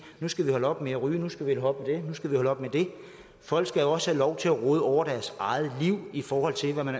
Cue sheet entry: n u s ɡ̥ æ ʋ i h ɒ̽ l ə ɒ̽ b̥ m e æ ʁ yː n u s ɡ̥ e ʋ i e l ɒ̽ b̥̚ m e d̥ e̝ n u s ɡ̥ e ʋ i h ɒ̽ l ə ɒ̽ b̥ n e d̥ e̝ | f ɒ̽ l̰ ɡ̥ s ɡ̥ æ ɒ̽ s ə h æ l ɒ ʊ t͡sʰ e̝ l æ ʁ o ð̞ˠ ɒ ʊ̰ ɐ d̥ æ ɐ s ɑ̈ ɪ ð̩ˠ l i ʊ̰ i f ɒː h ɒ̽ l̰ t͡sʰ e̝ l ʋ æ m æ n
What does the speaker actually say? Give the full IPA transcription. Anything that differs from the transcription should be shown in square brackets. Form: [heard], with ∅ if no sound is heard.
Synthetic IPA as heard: n u s ɡ̥ æ ʋ i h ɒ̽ l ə ɒ̽ b̥ m e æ ʁ yː n u s ɡ̥ [æ] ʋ i e l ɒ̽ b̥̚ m e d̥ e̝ n u s ɡ̥ [æ] ʋ i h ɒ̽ l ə ɒ̽ b̥ [m] e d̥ e̝ | f ɒ̽ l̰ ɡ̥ s ɡ̥ æ ɒ̽ s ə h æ l ɒ ʊ t͡sʰ e̝ l æ ʁ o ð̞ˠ ɒ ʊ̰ ɐ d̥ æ ɐ s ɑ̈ ɪ ð̩ˠ l i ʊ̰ i f ɒː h ɒ̽ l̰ t͡sʰ e̝ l ʋ æ m æ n